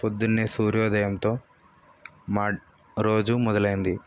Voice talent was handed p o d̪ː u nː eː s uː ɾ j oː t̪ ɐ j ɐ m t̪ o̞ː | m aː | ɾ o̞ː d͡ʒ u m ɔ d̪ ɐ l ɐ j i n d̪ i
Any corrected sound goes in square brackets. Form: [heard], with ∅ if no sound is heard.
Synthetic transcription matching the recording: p o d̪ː u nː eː s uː ɾ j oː [d̪] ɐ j ɐ m t̪ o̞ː | m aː | ɾ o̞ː d͡ʒ u m ɔ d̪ ɐ l ɐ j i n d̪ i

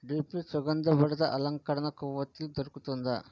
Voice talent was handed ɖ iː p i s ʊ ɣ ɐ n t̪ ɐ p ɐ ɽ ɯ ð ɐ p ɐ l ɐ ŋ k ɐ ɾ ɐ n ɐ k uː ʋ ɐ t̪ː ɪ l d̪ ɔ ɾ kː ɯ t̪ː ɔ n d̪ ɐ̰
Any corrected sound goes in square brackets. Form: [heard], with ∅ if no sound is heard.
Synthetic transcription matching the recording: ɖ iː p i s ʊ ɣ ɐ n [d̪] ɐ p ɐ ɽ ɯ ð ɐ [ʔ] ɐ l ɐ ŋ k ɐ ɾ ɐ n ɐ k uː ʋ ɐ t̪ː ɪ l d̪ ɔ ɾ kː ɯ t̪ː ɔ n d̪ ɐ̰

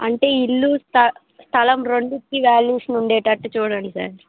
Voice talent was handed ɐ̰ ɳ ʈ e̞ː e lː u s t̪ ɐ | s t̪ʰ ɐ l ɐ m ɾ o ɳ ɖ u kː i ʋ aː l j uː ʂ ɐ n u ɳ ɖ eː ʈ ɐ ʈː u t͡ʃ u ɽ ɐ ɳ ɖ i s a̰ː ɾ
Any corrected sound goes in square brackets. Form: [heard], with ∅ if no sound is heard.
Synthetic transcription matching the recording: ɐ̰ ɳ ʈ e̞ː [i] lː u s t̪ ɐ | s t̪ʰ ɐ l ɐ m ɾ o ɳ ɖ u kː i ʋ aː l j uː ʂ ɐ n u ɳ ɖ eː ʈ ɐ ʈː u t͡ʃ [uː] ɽ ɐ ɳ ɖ i s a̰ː ɾ

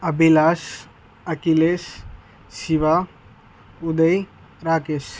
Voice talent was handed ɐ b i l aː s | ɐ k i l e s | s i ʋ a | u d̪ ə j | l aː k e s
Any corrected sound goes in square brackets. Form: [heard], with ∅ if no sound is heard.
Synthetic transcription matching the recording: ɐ b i l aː s | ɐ k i l e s | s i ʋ a | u d̪ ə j | [ɾ] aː k e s

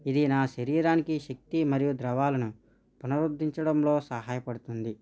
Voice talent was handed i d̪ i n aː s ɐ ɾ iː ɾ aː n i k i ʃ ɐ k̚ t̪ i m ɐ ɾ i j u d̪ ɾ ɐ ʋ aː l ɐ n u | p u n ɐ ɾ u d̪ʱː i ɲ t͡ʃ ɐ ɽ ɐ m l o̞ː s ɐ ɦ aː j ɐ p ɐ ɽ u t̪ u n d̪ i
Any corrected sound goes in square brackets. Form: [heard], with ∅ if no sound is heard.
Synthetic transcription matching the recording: i d̪ i n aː [ʃ] ɐ ɾ iː ɾ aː n i k i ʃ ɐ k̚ t̪ i m ɐ ɾ i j u d̪ ɾ ɐ ʋ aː l ɐ n u | p u n ɐ ɾ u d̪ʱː i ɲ t͡ʃ ɐ ɽ ɐ m l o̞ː s ɐ ɦ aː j ɐ p ɐ ɽ u t̪ u n d̪ i

